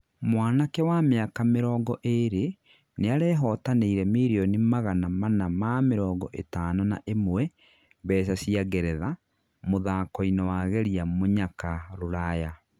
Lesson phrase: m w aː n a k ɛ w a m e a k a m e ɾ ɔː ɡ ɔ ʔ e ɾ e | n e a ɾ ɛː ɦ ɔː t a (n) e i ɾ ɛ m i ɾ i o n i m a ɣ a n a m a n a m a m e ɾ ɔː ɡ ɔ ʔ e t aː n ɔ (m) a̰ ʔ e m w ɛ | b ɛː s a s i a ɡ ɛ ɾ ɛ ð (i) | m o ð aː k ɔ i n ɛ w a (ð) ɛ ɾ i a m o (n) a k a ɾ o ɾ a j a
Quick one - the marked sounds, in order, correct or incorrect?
correct, incorrect: n, incorrect: a, incorrect: ɣ, incorrect: ɲ

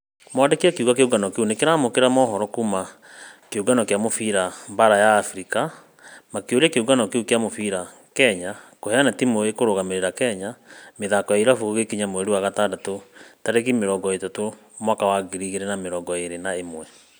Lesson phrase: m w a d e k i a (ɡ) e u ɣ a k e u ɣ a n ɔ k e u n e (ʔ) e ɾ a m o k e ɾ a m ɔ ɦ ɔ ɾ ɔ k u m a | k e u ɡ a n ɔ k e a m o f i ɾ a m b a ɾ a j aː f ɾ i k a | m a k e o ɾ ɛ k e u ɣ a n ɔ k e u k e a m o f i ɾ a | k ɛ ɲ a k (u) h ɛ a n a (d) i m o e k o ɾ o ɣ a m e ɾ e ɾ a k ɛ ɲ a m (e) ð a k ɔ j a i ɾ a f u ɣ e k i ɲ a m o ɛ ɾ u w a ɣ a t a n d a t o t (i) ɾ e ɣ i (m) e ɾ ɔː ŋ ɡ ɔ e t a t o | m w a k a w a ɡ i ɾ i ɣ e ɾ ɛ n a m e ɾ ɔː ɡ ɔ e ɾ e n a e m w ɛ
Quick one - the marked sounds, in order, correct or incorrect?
incorrect: k, incorrect: k, incorrect: o, incorrect: t, correct, incorrect: a, correct

